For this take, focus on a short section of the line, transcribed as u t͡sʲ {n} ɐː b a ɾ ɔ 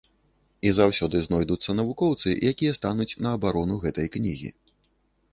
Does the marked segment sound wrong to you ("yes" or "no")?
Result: no